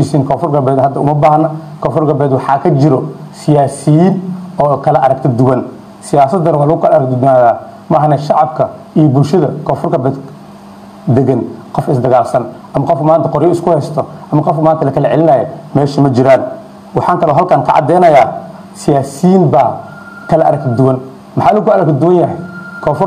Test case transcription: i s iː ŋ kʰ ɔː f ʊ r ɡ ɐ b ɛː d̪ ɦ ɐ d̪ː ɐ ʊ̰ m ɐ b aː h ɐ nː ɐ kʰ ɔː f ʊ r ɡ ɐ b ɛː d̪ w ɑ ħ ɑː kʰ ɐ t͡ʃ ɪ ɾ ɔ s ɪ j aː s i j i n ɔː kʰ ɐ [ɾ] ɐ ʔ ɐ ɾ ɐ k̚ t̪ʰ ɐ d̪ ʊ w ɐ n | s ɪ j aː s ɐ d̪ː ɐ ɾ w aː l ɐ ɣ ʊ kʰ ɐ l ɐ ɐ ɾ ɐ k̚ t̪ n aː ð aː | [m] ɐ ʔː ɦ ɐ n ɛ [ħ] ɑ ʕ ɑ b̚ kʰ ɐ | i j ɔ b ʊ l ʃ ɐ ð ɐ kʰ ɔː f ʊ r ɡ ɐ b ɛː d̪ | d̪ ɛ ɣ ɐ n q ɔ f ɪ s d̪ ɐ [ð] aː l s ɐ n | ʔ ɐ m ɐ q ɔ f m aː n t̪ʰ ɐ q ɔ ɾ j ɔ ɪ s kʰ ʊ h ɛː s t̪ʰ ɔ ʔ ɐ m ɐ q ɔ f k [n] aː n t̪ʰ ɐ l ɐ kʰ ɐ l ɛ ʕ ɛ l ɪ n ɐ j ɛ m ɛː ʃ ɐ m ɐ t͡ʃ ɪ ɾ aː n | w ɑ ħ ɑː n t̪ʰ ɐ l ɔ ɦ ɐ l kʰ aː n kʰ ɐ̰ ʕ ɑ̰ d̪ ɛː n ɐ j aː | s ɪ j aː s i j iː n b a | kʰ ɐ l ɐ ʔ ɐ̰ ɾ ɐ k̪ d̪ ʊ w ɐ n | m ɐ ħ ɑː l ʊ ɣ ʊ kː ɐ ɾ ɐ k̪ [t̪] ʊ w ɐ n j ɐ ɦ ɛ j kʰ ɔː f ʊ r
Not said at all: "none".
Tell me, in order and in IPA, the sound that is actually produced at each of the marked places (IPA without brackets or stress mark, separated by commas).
l, m, ʃ, ɣ, m, d̪